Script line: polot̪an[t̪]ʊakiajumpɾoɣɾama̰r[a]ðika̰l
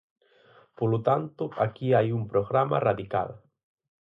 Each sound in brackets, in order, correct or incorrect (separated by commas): correct, correct